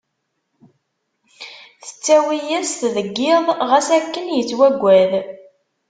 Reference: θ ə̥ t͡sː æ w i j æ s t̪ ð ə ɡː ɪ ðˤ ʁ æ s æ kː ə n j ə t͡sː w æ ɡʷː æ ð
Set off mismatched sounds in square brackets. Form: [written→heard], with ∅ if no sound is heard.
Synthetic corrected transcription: θ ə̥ t͡sː æ w i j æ s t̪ ð ə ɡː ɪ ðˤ ʁ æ s æ kː ə n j ə t͡sː w æ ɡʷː æ ð